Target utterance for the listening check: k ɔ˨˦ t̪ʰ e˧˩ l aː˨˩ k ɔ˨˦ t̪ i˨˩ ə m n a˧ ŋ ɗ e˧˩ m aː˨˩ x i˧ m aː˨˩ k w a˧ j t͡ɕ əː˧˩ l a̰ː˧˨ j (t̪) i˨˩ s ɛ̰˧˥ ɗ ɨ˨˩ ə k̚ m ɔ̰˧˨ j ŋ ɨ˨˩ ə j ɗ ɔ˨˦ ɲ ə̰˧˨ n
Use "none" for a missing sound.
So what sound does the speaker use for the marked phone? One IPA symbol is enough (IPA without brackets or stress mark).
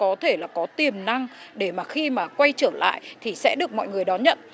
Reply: t̪ʰ